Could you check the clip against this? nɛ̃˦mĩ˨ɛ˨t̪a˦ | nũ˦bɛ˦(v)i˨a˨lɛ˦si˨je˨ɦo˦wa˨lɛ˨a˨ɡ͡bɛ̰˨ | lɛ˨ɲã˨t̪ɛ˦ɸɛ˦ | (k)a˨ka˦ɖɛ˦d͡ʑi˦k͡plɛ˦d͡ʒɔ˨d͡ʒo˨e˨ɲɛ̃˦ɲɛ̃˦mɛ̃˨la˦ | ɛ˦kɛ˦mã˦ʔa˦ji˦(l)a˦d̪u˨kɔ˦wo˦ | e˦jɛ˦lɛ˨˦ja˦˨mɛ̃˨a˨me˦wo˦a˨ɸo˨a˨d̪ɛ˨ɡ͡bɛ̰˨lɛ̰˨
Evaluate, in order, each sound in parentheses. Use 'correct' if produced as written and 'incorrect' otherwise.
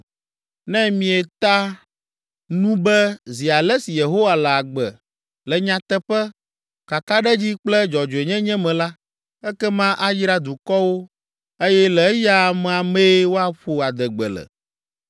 incorrect, correct, incorrect

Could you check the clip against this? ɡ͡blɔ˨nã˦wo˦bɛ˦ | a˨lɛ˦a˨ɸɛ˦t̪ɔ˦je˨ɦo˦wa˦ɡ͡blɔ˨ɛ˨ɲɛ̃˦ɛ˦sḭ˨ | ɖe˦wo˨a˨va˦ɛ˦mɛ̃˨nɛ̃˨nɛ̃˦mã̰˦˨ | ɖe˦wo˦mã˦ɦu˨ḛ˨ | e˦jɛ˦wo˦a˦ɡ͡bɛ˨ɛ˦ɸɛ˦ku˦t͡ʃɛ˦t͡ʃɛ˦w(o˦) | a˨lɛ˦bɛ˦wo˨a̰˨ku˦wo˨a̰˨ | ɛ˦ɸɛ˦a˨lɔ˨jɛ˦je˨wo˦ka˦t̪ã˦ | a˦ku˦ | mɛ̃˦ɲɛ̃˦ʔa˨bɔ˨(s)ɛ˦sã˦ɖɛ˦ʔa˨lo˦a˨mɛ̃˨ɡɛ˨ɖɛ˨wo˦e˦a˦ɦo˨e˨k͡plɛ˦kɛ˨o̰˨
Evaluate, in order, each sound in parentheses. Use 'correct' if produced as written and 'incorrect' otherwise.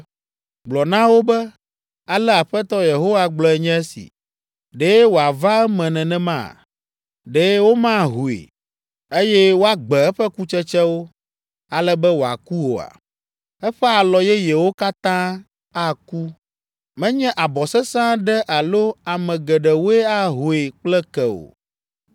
correct, correct

